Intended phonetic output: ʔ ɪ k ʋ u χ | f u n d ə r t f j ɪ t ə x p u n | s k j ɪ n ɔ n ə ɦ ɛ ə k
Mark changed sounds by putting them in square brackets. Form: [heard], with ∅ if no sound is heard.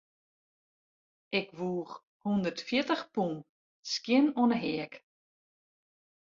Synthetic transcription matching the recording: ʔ ɪ k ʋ [uː] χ | [h] u n d ə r t f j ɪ t ə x p u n | s k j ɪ n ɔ n ə ɦ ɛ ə k